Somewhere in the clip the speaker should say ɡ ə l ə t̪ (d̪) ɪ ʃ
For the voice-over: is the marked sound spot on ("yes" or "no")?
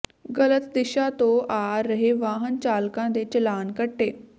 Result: yes